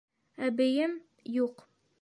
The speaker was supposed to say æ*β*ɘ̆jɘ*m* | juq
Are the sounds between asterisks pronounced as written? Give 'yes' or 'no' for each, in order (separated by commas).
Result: no, yes